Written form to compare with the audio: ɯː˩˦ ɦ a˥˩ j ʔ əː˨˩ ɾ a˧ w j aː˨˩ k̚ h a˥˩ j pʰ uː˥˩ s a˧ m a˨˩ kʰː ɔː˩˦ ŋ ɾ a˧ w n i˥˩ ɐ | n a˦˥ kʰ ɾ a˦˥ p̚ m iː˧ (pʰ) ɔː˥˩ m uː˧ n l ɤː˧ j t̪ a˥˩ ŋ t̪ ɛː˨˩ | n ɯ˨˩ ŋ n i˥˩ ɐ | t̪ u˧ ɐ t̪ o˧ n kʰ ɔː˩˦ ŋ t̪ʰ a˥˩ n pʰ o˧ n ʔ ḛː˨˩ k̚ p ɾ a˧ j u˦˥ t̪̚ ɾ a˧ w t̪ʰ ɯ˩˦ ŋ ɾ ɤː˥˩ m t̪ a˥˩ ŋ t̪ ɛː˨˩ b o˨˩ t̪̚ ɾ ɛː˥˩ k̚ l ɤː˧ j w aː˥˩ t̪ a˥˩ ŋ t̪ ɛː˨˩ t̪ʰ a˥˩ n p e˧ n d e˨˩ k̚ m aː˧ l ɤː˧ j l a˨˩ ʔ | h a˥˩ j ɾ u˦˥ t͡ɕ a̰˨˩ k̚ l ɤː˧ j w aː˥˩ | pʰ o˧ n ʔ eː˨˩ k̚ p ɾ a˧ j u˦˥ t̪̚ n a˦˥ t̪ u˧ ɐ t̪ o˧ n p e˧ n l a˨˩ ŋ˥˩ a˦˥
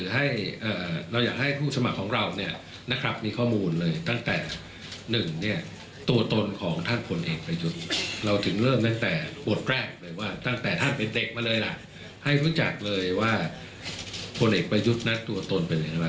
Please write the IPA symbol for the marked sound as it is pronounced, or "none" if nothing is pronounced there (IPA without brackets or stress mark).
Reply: kʰ